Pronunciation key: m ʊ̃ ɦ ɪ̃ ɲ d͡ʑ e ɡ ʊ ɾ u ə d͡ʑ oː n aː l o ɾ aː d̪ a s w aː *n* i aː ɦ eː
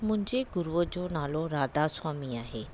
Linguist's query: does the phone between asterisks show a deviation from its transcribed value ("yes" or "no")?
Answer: yes